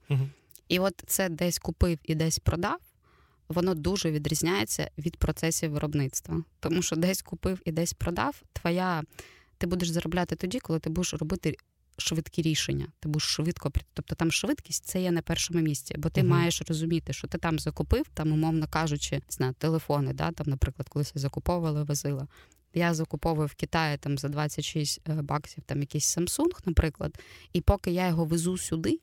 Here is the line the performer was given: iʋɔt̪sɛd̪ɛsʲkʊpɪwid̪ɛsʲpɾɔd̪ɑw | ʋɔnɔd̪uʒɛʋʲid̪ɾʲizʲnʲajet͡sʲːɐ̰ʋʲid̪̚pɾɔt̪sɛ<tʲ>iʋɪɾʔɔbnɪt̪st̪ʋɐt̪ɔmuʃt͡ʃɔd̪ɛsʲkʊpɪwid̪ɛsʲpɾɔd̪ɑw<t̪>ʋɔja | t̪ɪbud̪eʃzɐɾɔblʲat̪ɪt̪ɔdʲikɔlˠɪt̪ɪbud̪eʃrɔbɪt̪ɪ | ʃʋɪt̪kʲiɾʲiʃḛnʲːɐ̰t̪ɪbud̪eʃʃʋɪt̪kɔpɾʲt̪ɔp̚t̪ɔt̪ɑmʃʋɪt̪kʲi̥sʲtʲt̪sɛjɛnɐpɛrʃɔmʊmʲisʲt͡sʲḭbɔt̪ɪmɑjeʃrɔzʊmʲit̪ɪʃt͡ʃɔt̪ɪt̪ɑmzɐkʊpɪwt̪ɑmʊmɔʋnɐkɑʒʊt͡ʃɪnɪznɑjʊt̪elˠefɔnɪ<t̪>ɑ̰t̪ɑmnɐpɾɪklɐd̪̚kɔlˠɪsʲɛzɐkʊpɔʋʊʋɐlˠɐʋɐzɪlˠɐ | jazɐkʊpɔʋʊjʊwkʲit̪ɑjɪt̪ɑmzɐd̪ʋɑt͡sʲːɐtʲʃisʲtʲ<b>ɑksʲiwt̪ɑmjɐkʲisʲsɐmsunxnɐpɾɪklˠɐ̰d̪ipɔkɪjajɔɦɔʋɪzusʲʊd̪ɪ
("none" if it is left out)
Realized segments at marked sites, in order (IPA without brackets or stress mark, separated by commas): sʲ, t̪, d̪, b